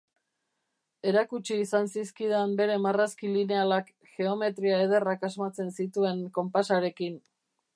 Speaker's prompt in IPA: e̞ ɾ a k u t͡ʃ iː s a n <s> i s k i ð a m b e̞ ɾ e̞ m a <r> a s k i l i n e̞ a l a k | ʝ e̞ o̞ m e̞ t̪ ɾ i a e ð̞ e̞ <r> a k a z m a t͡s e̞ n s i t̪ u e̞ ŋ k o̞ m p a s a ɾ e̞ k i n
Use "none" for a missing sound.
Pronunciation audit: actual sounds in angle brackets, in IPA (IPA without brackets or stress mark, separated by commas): s, r, r